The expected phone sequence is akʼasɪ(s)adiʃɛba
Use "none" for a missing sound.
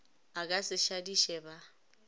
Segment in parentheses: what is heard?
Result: ʃ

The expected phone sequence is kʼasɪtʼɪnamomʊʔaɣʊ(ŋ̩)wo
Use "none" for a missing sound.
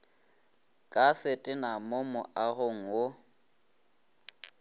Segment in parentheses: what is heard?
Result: ŋ̩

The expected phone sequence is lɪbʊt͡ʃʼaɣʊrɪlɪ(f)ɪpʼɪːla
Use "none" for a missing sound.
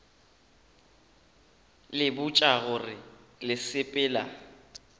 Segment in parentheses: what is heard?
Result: s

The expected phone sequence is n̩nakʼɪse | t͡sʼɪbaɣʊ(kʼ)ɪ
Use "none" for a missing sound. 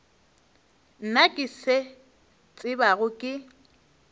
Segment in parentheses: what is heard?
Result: kʼ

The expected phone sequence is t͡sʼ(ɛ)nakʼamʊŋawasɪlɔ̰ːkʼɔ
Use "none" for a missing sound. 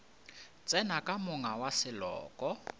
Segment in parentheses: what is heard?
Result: ɛ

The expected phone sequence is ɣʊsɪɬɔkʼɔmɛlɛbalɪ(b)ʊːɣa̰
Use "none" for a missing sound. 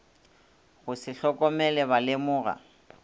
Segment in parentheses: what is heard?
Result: m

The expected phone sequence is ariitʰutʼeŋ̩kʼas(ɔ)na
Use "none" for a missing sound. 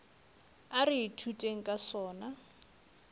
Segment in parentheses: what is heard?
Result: ɔː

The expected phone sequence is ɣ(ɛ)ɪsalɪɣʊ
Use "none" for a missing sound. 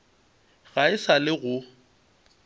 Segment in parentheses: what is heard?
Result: a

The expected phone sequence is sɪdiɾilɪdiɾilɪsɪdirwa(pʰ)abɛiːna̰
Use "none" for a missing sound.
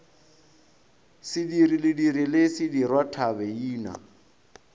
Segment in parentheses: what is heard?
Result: tʰ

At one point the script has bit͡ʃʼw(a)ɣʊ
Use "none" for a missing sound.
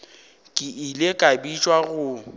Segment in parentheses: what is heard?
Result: a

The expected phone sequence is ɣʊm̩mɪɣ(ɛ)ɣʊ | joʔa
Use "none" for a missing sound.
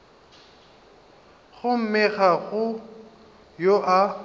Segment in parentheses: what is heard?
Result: a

